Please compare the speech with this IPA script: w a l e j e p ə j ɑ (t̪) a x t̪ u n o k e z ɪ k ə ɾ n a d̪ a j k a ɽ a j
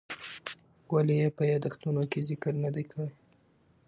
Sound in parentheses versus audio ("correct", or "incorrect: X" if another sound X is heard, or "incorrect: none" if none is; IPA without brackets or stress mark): incorrect: d̪